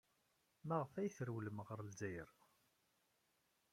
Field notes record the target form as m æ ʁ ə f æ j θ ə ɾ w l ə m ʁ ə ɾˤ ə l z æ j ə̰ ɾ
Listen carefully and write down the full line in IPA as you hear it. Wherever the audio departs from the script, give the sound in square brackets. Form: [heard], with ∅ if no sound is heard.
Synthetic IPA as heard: m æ ʁ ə f æ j θ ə ɾ w l ə m ʁ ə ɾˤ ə l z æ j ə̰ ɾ